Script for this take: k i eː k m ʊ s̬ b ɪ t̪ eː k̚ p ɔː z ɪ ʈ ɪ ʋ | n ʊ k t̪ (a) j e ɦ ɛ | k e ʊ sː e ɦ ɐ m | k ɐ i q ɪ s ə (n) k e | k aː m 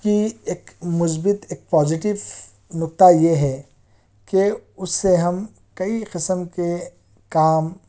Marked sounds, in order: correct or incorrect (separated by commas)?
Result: correct, incorrect